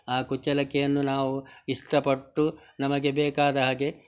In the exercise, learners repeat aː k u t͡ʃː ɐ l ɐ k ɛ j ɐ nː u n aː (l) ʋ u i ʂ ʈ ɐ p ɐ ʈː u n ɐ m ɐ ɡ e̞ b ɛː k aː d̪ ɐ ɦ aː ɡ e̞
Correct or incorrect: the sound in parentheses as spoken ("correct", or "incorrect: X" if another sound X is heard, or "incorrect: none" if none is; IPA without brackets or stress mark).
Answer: incorrect: none